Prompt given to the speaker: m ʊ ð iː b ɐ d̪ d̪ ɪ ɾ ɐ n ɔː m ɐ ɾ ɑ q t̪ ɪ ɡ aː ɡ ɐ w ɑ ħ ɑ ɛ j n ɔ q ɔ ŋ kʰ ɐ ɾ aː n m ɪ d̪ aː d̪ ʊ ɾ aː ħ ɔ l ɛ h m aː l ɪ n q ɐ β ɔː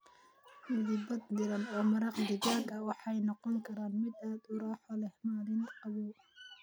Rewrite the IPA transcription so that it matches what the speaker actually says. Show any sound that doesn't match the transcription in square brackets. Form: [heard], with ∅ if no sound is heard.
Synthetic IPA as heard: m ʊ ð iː b ɐ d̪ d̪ ɪ ɾ ɐ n ɔː m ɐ ɾ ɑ q [d̪] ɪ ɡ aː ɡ ɐ w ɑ ħ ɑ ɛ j n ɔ q ɔ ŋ kʰ ɐ ɾ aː n m ɪ d̪ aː d̪ ʊ ɾ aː ħ ɔ l ɛ h m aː l ɪ n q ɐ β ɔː